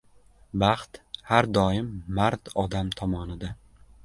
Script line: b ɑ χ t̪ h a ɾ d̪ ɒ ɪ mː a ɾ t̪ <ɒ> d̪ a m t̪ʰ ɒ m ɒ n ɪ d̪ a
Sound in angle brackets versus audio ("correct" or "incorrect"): correct